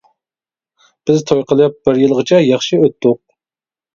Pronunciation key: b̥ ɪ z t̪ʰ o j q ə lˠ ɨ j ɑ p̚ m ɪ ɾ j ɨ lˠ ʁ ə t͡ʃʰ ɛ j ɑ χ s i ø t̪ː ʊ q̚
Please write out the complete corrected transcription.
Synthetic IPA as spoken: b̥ ɪ z t̪ʰ o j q ə lˠ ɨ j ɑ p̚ b ɪ ɾ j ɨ lˠ ʁ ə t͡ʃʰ ɛ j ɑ χ ʃ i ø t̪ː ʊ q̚